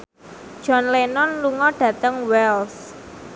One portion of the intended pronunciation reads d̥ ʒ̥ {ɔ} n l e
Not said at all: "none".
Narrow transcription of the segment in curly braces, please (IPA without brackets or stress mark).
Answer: ɔ